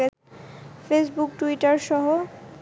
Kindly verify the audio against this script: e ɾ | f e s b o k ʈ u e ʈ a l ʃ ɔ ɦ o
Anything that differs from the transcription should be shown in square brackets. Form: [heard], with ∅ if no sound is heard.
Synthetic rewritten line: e [∅] | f e s b [u] k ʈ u [i] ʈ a [ɾ] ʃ ɔ ɦ o